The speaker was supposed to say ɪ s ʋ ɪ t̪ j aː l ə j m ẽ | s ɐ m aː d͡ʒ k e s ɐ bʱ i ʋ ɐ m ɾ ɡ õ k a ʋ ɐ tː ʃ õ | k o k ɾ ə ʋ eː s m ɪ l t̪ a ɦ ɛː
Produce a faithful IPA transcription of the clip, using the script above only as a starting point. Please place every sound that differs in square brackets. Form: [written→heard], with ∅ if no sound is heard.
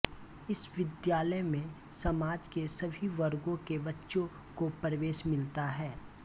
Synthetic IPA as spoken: ɪ s ʋ ɪ [t̪→d̪] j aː l ə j m ẽ | s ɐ m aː d͡ʒ k e s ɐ bʱ i ʋ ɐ [m→∅] ɾ ɡ õ k [a→e] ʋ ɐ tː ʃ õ | k o [k→p] ɾ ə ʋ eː [s→ʃ] m ɪ l t̪ a ɦ ɛː